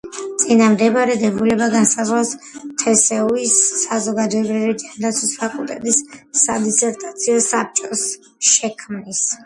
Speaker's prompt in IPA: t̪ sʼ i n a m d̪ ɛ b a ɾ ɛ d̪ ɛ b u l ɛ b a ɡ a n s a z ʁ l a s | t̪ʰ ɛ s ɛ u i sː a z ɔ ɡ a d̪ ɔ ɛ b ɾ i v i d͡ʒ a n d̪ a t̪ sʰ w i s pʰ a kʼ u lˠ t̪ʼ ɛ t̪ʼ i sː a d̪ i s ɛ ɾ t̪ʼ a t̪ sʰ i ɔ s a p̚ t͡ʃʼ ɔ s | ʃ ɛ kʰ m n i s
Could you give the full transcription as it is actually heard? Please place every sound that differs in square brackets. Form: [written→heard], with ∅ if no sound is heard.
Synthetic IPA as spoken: t̪ sʼ i n a m d̪ ɛ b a ɾ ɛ d̪ ɛ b u l ɛ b a ɡ a n s a z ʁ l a s | t̪ʰ ɛ s ɛ u i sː a z ɔ ɡ a d̪ ɔ ɛ b ɾ i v i d͡ʒ a n d̪ a t̪ sʰ w i s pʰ a kʼ u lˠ t̪ʼ ɛ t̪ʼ i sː a d̪ i s ɛ ɾ t̪ʼ a t̪ sʰ i ɔ s a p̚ t͡ʃʼ ɔ s | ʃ ɛ kʰ m n i s